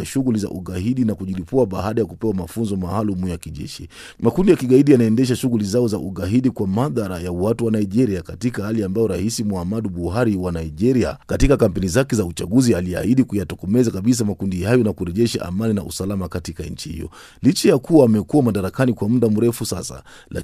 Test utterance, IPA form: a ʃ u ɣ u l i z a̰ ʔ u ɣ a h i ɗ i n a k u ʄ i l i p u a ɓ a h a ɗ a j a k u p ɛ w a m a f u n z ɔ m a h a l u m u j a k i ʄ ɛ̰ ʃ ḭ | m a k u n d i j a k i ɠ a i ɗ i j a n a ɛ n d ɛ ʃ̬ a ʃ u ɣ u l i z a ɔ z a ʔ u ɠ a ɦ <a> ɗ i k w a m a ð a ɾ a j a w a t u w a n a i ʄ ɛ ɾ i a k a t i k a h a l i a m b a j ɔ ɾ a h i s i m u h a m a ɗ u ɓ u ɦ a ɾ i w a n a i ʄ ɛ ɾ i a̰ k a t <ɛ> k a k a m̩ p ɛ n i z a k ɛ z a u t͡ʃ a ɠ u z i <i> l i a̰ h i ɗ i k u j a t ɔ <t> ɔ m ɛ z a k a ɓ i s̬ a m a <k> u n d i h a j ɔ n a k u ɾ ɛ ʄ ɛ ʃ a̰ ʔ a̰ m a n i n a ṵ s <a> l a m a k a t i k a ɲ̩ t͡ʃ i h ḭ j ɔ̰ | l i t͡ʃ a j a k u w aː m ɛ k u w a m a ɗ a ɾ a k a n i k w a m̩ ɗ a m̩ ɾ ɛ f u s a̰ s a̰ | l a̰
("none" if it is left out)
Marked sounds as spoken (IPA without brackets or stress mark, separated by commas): i, i, a, k, k, a